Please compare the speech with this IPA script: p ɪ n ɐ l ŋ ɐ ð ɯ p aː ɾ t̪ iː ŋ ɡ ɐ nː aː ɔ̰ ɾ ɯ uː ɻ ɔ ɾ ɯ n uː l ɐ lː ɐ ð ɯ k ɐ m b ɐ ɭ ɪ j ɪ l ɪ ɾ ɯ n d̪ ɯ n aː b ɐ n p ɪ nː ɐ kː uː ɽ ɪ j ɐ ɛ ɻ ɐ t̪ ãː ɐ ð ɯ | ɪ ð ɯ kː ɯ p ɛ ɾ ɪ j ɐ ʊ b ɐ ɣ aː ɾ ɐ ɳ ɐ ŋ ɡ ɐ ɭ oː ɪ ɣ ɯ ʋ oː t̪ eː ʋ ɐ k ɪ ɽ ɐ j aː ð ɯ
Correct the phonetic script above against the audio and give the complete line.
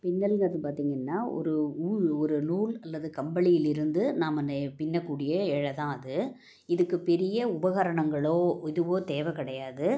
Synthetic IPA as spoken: p ɪ nː ɐ l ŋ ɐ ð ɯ p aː ɾ t̪ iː ŋ ɡ ɐ nː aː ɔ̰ ɾ ɯ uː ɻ ɔ ɾ ɯ n uː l ɐ lː ɐ ð ɯ k ɐ m b ɐ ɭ ɪ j ɪ l ɪ ɾ ɯ n d̪ ɯ n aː m ɐ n p ɪ nː ɐ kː uː ɽ ɪ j ɐ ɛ ɻ ɐ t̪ ãː ɐ ð ɯ | ɪ ð ɯ kː ɯ p ɛ ɾ ɪ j ɐ ʊ b ɐ ɣ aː ɾ ɐ ɳ ɐ ŋ ɡ ɐ ɭ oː ɪ ð ɯ ʋ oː t̪ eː ʋ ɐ k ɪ ɽ ɐ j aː ð ɯ